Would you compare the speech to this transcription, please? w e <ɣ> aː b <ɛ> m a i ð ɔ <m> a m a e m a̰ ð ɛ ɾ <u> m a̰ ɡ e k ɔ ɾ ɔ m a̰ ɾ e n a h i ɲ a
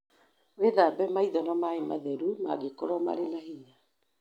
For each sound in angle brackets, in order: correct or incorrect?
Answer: incorrect, correct, incorrect, correct

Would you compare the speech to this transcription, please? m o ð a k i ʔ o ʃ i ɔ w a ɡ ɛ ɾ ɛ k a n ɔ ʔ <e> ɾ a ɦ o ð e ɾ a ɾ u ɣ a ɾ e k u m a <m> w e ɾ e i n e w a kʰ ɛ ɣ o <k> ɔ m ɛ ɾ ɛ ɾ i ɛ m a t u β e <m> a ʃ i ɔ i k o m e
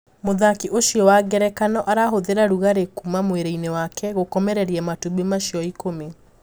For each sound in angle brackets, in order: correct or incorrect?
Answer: incorrect, correct, correct, correct

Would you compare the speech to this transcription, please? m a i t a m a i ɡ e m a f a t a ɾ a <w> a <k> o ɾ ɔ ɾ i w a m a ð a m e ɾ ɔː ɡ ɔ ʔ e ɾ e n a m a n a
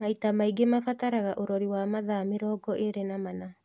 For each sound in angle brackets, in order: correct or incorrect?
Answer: incorrect, incorrect

